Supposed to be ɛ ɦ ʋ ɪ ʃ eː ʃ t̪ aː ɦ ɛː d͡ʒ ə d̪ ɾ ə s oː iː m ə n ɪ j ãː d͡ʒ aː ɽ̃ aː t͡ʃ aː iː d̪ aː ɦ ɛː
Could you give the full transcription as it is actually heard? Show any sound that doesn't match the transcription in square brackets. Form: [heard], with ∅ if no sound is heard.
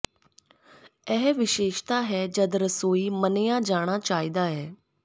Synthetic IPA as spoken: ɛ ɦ ʋ ɪ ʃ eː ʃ t̪ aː ɦ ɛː d͡ʒ ə d̪ ɾ ə s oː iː m ə n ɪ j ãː d͡ʒ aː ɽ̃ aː t͡ʃ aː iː d̪ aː ɦ ɛː